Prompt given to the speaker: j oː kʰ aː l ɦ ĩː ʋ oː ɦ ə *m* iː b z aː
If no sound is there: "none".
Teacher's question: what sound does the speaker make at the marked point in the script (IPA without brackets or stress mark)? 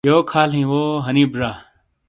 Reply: n